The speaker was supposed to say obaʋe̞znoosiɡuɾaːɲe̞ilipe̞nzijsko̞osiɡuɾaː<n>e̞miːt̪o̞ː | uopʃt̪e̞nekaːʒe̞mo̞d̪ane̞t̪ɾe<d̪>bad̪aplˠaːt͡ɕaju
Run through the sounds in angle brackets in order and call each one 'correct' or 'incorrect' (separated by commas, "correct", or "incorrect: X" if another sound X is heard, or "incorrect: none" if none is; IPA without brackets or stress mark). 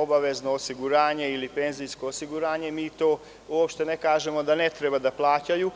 incorrect: ɲ, incorrect: none